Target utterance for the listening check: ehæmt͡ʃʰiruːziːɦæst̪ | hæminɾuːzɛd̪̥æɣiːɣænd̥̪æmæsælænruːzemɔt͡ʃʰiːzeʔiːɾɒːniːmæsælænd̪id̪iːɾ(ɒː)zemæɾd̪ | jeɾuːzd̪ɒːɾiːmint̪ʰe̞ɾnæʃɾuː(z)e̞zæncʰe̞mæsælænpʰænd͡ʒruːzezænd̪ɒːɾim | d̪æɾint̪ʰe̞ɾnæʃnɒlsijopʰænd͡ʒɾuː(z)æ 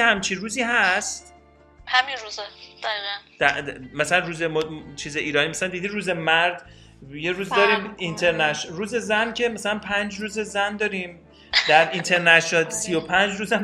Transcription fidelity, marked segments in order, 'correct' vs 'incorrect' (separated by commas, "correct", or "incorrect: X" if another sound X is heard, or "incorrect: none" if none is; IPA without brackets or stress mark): incorrect: uː, correct, correct